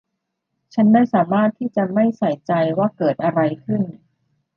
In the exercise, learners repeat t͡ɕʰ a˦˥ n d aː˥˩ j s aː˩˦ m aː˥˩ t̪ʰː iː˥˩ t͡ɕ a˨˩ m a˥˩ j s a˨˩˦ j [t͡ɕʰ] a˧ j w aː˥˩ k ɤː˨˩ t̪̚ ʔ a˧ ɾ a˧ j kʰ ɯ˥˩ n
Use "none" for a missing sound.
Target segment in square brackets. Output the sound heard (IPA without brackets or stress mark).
t͡ɕ